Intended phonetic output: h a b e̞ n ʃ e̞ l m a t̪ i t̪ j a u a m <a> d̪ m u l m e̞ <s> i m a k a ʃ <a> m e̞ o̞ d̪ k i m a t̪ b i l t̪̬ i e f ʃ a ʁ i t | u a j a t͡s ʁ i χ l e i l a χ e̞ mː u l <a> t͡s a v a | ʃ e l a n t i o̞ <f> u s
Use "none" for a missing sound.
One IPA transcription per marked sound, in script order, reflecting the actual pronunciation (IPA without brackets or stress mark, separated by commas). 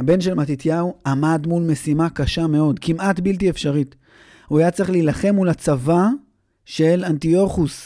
a, s, a, a, χ